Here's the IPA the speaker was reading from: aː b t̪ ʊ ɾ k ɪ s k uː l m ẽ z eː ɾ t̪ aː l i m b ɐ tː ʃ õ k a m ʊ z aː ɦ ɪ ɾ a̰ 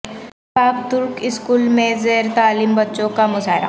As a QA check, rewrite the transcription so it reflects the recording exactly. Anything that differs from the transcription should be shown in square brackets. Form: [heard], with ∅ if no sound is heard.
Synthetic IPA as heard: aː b t̪ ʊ ɾ k ɪ s k uː l m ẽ z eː ɾ t̪ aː l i m b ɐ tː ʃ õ k a m ʊ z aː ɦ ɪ ɾ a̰